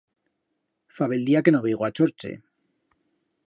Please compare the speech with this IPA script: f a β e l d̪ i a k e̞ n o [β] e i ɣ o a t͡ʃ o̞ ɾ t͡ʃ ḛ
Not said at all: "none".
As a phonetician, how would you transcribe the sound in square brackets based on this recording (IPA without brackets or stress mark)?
β